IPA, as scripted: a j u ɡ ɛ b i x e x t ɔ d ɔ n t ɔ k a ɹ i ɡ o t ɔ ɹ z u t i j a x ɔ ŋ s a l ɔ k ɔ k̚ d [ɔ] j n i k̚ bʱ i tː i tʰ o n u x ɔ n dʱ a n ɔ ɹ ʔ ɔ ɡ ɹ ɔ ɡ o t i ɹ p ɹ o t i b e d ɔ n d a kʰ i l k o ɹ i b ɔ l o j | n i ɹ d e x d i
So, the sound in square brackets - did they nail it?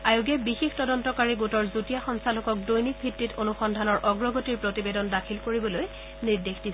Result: no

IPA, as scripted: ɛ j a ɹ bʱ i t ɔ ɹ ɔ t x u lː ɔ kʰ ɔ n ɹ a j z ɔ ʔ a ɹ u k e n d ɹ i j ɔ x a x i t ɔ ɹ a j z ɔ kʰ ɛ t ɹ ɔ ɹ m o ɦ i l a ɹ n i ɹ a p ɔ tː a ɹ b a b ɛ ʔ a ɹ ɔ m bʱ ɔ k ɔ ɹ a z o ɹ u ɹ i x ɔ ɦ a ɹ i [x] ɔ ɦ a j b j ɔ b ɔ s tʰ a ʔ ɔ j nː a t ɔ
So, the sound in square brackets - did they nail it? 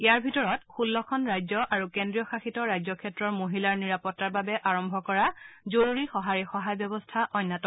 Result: yes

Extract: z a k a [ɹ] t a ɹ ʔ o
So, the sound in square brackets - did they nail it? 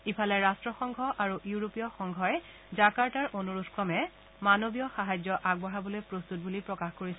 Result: yes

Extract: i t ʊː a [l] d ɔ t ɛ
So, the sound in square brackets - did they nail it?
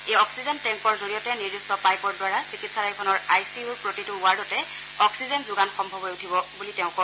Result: no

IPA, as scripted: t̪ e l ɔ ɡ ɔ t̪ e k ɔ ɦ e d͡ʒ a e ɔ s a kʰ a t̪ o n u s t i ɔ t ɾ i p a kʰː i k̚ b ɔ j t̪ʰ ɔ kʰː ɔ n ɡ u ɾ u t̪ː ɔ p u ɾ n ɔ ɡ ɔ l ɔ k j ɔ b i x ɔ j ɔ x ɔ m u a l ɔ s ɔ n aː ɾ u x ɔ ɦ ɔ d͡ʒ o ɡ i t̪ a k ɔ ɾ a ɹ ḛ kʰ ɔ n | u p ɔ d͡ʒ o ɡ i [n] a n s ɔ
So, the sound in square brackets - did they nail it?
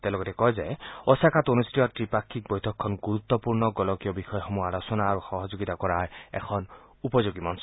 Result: no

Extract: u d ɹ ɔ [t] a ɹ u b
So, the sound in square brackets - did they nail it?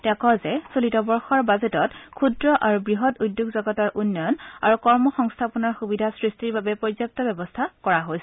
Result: no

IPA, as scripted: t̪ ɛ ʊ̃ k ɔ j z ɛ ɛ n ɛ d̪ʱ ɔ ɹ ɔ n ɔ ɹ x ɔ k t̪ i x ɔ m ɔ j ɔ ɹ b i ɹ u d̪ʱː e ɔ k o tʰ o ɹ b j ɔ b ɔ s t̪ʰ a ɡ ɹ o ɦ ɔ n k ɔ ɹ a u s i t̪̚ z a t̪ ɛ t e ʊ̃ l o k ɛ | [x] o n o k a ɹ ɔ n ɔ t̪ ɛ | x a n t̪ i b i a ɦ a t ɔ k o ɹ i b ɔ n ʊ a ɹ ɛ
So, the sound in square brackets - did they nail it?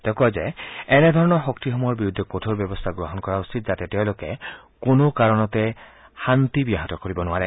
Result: no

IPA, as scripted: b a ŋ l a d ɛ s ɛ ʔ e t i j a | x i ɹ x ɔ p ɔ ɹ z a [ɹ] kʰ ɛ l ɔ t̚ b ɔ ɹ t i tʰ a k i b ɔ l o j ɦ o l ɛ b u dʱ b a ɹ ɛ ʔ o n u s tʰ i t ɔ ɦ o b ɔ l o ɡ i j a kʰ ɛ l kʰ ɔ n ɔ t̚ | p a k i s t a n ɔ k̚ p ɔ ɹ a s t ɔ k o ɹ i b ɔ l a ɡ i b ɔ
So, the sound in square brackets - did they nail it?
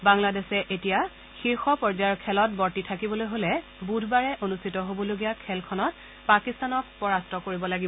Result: yes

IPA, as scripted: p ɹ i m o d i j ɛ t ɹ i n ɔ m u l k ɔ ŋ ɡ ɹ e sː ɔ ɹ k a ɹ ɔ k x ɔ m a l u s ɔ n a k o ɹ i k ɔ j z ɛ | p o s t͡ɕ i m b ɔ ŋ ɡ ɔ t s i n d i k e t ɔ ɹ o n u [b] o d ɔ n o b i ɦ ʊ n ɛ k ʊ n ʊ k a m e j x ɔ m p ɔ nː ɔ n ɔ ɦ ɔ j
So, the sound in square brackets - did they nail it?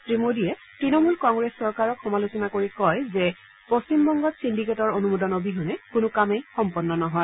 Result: no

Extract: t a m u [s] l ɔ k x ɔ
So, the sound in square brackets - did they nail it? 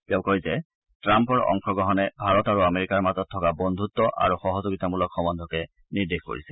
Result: no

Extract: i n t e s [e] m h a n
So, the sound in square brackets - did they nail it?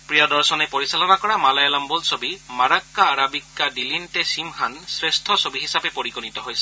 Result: no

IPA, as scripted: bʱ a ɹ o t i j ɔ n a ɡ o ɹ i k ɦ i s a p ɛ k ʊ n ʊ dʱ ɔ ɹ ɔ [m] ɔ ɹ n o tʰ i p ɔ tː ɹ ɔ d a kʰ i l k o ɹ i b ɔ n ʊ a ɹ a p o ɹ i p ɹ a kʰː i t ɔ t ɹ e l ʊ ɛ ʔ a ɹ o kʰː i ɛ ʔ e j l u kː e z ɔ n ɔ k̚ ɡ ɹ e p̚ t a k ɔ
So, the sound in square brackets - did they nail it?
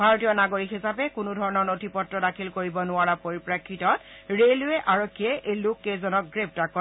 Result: no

